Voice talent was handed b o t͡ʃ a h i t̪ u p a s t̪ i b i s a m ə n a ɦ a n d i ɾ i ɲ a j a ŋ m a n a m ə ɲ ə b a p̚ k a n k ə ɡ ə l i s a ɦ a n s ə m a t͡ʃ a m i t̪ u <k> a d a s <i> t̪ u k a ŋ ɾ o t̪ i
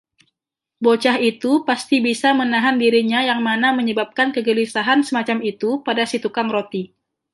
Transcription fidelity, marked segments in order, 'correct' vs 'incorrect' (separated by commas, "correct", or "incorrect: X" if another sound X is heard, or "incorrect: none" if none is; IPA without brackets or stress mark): incorrect: p, correct